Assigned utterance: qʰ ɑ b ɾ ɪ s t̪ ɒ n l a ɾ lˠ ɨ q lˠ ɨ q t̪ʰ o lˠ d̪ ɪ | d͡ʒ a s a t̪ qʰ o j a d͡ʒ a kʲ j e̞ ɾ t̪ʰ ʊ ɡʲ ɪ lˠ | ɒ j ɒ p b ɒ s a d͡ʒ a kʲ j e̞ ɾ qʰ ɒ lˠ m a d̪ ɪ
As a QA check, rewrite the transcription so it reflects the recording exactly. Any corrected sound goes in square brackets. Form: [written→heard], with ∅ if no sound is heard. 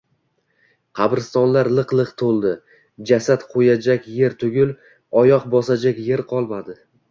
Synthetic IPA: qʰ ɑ b ɾ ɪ s t̪ ɒ n l a ɾ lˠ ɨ q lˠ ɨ q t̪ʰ o lˠ d̪ ɪ | d͡ʒ a s a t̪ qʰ o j a d͡ʒ a kʲ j e̞ ɾ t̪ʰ ʊ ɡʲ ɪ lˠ | ɒ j ɒ [p→q] b ɒ s a d͡ʒ a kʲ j e̞ ɾ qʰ ɒ lˠ m a d̪ ɪ